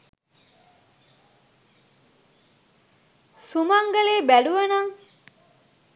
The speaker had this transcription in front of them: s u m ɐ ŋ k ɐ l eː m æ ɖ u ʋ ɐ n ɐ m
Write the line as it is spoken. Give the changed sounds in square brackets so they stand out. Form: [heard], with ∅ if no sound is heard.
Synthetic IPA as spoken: s u m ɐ ŋ [ɡ] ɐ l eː [b] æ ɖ u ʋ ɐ n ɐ [ŋ]

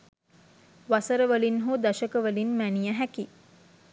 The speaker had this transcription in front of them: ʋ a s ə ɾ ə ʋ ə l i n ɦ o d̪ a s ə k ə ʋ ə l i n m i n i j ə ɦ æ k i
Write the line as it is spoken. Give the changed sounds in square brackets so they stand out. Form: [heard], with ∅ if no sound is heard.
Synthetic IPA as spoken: ʋ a s ə ɾ ə ʋ ə l i n ɦ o d̪ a [ʃ] ə k ə ʋ ə l i n m [æ] n i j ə ɦ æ k i

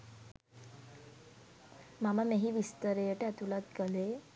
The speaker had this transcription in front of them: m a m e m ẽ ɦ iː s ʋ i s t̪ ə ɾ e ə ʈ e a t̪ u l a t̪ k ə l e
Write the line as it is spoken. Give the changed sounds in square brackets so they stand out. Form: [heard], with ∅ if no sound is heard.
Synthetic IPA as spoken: m a m [a] m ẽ ɦ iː [∅] ʋ i s t̪ ə ɾ e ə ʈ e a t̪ u l a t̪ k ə l e

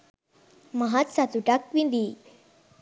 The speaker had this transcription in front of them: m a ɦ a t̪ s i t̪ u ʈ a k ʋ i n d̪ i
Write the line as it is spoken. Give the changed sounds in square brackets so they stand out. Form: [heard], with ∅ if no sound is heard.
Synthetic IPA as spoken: m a ɦ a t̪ s [a] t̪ u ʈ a k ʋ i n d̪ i

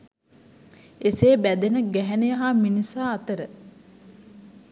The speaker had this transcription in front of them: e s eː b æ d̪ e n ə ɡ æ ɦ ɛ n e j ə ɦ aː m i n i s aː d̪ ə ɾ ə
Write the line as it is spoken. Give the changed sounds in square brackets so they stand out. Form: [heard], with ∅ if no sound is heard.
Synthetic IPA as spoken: e s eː b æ d̪ e n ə ɡ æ ɦ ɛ n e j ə ɦ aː m i n i s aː [t̪] ə ɾ ə

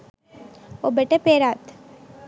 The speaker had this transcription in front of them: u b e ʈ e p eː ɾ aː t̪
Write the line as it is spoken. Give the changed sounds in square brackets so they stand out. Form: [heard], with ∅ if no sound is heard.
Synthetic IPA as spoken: [o] b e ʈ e p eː ɾ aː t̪

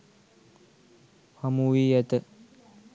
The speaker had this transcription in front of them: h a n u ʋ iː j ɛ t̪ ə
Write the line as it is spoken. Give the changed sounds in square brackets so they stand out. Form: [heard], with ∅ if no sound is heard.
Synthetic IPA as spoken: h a [m] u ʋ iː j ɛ t̪ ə

